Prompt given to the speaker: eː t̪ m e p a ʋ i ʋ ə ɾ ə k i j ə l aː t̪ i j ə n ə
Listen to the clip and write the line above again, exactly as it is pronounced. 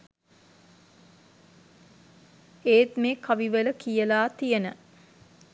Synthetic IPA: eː t̪ m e k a ʋ i ʋ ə l ə k i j ə l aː t̪ i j ə n ə

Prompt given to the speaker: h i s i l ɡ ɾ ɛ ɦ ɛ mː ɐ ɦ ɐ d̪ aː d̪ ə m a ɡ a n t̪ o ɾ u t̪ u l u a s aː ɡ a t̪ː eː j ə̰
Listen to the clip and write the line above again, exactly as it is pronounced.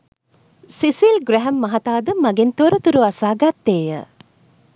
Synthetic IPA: s i s i l ɡ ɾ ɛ ɦ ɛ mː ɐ ɦ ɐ t̪ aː d̪ ə m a ɡ e n t̪ o ɾ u t̪ u ɾ u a s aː ɡ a t̪ː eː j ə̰

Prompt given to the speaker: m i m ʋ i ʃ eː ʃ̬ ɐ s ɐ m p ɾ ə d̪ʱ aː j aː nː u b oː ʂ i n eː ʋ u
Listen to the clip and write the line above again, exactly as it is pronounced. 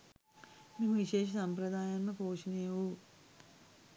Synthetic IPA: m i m ʋ i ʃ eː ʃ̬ ɐ s ɐ m p ɾ ɐ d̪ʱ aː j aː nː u p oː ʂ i n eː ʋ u

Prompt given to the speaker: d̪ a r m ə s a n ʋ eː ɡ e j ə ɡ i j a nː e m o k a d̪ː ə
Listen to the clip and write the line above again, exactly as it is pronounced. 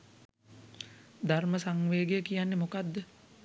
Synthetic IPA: d̪ a r m ə s a ŋ ʋ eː ɡ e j ə k i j a nː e m o k a d̪ː ə

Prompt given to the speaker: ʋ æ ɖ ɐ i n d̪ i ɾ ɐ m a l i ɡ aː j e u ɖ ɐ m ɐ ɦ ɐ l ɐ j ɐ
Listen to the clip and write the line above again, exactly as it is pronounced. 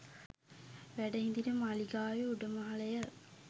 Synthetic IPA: ʋ æ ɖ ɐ i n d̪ i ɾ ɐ m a l i ɡ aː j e u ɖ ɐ m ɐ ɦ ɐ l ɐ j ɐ

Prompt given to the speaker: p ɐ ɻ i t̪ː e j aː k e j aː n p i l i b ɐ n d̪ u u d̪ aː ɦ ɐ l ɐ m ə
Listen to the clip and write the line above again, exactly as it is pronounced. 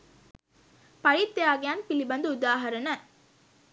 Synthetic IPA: p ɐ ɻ i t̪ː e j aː ɡ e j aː n p i l i b ɐ n d̪ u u d̪ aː ɦ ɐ ɾ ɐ n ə

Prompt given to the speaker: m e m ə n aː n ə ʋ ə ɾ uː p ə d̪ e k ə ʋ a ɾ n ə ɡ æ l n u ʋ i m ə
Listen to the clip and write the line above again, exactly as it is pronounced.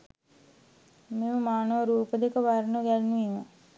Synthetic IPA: m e m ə m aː n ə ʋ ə ɾ uː p ə d̪ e k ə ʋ a ɾ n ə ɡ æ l n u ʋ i m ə

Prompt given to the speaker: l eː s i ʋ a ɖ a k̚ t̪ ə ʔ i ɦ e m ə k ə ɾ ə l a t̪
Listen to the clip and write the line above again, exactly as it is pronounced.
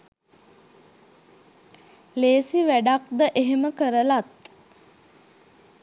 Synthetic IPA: l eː s i ʋ æ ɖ a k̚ d̪ ə ʔ e ɦ e m ə k ə ɾ ə l a t̪

